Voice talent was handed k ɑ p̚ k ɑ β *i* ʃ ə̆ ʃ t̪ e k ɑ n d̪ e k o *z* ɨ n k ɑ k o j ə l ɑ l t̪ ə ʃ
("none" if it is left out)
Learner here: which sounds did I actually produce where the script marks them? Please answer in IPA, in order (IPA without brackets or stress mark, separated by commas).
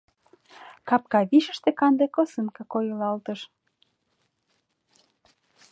i, s